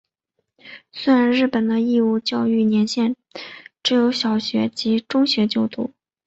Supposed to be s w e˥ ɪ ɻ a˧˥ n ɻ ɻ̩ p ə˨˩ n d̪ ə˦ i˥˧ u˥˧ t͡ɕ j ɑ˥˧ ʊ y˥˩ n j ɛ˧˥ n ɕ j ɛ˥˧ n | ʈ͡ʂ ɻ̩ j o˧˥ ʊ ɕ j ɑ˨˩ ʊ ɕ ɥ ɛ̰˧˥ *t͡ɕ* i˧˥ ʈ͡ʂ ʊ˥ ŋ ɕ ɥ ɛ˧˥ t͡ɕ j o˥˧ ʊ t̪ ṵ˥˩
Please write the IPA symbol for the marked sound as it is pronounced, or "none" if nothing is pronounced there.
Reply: t͡ɕ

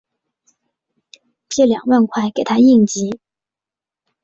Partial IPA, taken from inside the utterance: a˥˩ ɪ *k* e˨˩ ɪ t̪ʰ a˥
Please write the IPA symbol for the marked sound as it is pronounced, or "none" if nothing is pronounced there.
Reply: k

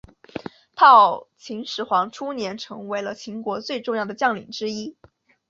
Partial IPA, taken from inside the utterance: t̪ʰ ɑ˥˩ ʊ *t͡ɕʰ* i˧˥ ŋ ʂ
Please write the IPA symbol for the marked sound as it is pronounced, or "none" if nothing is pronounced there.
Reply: t͡ɕʰ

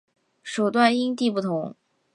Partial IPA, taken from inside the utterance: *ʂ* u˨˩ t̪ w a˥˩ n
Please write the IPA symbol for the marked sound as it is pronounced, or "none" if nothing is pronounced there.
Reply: ʂ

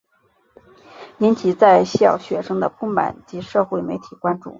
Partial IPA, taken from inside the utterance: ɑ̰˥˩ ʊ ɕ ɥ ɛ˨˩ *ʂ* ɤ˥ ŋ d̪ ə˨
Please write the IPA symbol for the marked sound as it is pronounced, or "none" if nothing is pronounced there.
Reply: ʂ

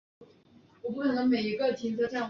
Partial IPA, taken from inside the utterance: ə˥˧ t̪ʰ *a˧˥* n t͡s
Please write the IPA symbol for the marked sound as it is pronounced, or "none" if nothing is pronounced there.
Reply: i˧˥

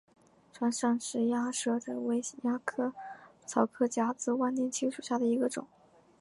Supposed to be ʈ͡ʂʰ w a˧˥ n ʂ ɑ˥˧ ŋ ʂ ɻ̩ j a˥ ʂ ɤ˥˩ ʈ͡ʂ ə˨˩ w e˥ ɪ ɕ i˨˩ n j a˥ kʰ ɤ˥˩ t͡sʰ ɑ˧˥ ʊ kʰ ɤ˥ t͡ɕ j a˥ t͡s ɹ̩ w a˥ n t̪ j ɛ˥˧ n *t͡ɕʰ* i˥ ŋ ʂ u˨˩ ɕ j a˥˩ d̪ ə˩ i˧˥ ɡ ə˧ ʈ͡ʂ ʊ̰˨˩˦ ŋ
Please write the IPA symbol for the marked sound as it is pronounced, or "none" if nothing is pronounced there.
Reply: t͡ɕʰ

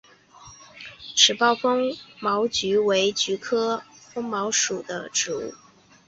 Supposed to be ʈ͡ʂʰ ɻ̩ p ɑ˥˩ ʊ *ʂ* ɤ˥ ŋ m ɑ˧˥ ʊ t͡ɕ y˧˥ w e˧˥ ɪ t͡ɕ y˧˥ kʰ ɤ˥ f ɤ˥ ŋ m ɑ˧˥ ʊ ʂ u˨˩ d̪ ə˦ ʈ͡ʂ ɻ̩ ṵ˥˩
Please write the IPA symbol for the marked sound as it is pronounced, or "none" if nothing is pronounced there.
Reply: f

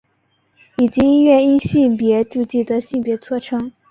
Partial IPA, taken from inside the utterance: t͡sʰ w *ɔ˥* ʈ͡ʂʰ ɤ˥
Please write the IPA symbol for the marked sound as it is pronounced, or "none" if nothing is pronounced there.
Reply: ɔ˥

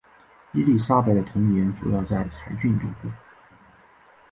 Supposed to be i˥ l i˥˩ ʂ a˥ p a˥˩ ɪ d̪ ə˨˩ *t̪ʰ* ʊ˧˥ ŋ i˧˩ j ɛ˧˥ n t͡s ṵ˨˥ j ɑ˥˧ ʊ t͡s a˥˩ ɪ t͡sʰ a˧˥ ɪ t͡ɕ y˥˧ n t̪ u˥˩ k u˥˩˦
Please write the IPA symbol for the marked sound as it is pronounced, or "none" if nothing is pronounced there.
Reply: t̪ʰ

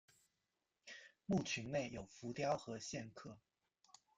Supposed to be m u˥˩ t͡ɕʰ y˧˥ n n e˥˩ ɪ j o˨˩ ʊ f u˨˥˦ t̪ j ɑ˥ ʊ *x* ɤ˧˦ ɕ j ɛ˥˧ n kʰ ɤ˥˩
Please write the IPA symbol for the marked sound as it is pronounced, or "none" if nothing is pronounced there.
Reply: x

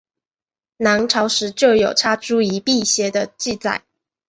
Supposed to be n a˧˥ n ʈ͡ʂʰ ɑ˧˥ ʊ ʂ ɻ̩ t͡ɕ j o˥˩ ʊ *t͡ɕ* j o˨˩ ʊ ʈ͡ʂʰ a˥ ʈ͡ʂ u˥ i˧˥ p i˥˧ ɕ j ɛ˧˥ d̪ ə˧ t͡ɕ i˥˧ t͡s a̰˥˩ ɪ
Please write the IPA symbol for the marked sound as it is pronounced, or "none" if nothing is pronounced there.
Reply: none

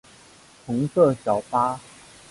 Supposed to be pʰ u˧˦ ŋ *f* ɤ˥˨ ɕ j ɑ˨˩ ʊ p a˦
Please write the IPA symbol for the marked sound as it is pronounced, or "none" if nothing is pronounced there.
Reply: s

